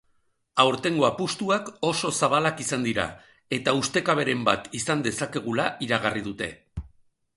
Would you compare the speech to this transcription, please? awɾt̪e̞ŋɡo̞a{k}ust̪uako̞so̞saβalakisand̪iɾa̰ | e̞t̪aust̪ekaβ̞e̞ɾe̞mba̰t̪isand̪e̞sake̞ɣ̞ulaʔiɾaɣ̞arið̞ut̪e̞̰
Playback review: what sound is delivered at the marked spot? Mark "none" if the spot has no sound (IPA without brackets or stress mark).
p